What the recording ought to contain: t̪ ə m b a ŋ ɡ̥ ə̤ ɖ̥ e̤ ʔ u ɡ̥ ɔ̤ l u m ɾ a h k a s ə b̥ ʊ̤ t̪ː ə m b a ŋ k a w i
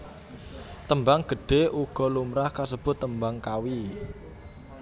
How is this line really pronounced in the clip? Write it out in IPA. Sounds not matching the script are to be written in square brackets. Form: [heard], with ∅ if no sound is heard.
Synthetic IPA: t̪ ə m b a ŋ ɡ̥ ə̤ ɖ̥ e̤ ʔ u ɡ̥ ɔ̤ l u m ɾ a h k a s ə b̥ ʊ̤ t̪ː ə m b a ŋ k a w i